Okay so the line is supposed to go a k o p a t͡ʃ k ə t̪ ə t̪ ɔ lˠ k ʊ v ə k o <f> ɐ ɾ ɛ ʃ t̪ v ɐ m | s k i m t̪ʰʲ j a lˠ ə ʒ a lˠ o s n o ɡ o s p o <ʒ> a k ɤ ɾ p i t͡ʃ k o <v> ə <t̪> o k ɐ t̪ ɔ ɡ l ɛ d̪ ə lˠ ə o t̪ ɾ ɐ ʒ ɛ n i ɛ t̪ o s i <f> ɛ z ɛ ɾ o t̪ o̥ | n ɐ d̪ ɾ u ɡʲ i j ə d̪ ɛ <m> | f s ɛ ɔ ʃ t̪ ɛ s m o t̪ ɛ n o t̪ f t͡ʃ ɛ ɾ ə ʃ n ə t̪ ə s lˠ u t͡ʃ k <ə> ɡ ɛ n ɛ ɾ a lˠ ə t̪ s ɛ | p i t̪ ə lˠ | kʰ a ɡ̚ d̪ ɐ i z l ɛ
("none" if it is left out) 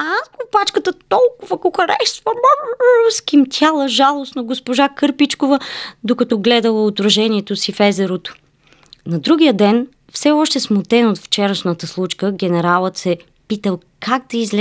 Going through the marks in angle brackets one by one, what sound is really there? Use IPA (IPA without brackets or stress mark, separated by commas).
x, ʒ, v, d̪, f, n, ə